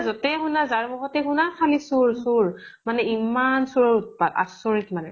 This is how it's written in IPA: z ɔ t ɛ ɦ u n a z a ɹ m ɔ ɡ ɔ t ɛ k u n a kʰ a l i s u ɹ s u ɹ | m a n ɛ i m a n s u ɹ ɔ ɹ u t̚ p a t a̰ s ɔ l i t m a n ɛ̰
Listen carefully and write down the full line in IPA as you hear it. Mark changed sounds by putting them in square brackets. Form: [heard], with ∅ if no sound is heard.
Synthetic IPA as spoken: z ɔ t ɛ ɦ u n a z a ɹ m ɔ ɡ ɔ t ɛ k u n a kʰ a l i s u ɹ s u ɹ | m a n ɛ i m a n s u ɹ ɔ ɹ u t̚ p a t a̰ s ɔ [ɹ] i t m a n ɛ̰

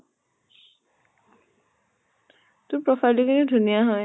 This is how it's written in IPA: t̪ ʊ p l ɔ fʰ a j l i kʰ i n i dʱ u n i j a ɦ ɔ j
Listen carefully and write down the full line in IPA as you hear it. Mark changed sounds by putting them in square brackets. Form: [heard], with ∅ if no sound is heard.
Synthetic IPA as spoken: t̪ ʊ p [ɹ] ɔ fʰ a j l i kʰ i n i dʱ u n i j a ɦ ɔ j

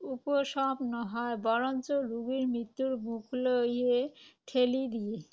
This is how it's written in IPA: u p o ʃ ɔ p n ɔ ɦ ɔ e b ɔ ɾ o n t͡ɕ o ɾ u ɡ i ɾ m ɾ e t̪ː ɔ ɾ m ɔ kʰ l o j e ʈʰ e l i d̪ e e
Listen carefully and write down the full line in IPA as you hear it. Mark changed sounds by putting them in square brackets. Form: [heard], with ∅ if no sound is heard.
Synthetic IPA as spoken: u p o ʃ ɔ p n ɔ ɦ ɔ e b ɔ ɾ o n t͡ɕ o ɾ u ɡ i ɾ m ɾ [i] t̪ː [u] ɾ m [u] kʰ l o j e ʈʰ e l i d̪ [i] e

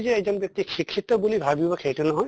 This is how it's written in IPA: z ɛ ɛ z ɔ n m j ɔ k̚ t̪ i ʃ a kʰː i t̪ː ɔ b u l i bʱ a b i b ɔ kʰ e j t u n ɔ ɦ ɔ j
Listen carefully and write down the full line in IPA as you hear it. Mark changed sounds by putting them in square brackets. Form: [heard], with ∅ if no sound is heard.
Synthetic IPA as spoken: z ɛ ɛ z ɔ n [b] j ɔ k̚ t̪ i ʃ [i] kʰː i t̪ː ɔ b u l i bʱ a b i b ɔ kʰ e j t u n ɔ ɦ ɔ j

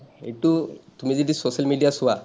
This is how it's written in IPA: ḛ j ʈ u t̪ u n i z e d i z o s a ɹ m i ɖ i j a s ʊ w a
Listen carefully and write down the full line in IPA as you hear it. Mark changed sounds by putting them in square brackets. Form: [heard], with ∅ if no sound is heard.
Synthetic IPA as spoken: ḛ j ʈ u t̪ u [m] i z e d i [s] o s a [l] m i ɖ i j a s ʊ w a

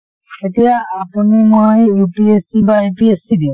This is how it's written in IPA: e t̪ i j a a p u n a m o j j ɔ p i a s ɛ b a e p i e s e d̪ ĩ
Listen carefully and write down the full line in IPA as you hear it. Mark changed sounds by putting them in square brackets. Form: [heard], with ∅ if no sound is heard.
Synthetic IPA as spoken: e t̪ i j a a p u n [i] m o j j [u] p i [e] s [i] b a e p i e s [i] d̪ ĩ

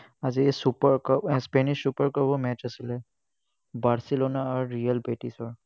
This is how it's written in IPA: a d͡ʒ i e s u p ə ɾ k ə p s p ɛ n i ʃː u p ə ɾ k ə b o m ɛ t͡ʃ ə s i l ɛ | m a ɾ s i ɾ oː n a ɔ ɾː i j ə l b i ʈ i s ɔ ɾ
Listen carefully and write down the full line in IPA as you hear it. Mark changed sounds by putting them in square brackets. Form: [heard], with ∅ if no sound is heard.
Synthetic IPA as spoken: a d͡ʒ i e s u p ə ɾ k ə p s p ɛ n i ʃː u p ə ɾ k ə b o m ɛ t͡ʃ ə s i l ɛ | [b] a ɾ s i [l] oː n a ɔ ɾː i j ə l b [e] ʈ i s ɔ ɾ

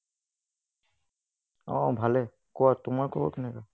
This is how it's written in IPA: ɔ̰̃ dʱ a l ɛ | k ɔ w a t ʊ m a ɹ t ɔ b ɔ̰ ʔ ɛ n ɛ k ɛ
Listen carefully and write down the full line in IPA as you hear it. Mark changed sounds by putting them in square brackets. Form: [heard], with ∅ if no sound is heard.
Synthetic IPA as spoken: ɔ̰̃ [bʱ] a l ɛ | k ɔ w a t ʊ m a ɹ [k] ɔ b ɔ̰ [k] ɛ n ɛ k [a]

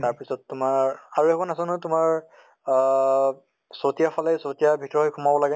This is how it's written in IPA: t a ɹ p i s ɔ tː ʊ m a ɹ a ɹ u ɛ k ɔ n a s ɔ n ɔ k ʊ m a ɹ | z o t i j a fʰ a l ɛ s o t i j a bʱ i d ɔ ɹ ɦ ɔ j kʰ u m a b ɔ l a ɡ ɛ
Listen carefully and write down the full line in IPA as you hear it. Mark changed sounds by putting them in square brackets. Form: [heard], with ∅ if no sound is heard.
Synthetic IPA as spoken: t a ɹ p i s ɔ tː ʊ m a ɹ a ɹ u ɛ k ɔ n a s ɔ n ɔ [t] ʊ m a ɹ | [s] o t i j a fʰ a l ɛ s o t i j a bʱ i [t] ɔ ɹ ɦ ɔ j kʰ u m a b ɔ l a ɡ ɛ

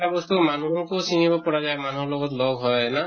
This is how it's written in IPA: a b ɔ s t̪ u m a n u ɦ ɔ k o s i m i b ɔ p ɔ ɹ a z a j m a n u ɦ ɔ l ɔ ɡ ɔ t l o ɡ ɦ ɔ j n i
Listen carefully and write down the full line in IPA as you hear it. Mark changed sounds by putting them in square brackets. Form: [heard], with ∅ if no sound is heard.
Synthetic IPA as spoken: a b ɔ s t̪ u m a n u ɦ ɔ k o s i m i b ɔ p ɔ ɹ a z a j m a n u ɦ ɔ l ɔ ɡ ɔ t l [ɔ] ɡ ɦ ɔ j n [a]

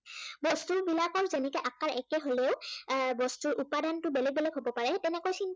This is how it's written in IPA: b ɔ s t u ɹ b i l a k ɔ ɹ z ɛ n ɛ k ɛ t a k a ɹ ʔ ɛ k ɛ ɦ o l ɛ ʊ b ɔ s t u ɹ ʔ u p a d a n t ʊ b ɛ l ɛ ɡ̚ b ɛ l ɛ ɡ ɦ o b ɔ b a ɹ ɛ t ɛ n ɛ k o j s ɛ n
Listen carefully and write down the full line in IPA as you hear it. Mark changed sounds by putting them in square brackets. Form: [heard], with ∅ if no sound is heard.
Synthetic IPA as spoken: b ɔ s t u ɹ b i l a k ɔ ɹ z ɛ n ɛ k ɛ [ʔ] a k a ɹ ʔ ɛ k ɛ ɦ o l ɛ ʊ b ɔ s t u ɹ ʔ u p a d a n t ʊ b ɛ l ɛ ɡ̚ b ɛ l ɛ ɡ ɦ o b ɔ [p] a ɹ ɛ t ɛ n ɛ k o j s [i] n

